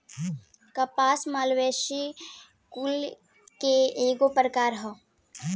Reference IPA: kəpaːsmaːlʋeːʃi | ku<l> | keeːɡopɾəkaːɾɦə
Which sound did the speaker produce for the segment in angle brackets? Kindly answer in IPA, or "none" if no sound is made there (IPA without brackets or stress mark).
l